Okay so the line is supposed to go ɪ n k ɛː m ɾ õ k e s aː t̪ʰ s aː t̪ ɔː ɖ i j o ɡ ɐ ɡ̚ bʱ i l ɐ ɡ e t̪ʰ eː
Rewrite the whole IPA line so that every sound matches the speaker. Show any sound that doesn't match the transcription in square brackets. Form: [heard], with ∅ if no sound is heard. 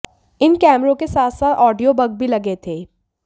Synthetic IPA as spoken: ɪ n k ɛː m ɾ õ k e s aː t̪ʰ s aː t̪ ɔː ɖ i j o [b] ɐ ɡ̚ bʱ i l ɐ ɡ e t̪ʰ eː